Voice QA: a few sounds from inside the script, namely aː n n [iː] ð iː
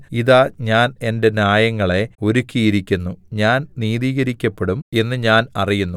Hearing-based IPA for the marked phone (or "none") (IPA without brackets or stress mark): iː